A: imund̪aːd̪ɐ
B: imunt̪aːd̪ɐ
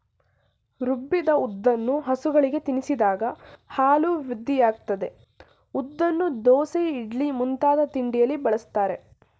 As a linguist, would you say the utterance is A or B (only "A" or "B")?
B